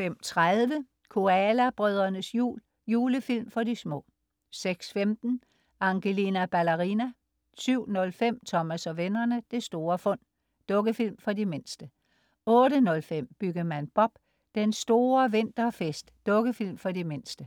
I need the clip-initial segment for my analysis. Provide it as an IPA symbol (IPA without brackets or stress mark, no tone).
f